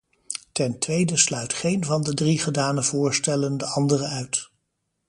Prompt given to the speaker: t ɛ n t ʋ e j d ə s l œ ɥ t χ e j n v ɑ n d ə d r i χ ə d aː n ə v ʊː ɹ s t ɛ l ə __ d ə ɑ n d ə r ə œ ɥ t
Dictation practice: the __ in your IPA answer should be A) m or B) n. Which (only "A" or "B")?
B